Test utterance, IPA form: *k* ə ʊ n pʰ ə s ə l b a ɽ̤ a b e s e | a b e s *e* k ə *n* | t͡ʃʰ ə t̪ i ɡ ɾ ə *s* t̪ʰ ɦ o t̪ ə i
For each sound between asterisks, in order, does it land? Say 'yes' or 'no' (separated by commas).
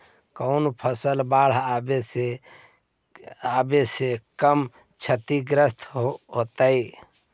yes, yes, no, yes